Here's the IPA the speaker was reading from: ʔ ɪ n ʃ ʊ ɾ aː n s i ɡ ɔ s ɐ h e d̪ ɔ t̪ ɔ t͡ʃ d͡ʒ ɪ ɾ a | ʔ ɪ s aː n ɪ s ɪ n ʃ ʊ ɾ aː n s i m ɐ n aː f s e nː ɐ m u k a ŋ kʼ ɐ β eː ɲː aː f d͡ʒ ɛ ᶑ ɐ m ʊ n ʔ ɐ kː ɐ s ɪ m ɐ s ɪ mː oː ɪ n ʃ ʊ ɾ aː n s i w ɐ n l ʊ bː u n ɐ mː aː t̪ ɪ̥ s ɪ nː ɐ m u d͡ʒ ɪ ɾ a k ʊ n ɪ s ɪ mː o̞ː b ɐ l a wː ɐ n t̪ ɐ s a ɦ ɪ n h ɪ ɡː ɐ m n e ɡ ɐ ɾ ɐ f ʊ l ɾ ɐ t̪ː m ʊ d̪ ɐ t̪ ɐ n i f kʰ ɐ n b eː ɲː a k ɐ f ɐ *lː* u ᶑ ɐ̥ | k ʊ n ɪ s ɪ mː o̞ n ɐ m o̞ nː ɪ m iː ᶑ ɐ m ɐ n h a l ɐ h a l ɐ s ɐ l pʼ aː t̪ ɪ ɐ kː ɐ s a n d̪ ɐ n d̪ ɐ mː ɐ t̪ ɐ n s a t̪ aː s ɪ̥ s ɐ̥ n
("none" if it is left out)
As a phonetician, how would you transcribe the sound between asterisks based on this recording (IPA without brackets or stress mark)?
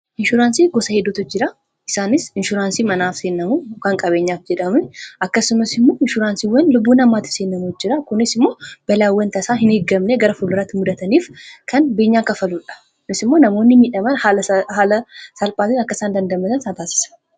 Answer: l